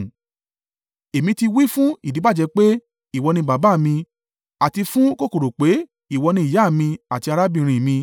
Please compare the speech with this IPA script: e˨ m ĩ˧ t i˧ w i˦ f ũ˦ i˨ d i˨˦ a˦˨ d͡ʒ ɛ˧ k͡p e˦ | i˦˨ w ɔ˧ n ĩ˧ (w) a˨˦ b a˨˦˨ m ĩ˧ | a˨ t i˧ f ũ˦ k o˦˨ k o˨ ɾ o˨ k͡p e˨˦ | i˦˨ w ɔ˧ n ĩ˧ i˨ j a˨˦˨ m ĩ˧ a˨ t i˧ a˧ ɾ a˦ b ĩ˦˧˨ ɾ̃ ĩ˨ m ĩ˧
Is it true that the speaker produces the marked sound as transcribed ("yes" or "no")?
no